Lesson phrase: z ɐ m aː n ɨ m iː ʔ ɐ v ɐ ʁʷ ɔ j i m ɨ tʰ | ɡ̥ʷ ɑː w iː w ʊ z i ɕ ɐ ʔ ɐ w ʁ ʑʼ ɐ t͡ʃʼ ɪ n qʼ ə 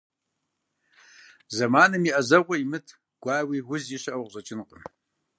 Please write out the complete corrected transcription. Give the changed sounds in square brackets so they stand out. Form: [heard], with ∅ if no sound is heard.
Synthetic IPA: z ɐ m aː n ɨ m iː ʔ ɐ [z] ɐ ʁʷ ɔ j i m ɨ tʰ | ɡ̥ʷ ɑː w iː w ʊ z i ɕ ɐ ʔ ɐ w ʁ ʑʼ ɐ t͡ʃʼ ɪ n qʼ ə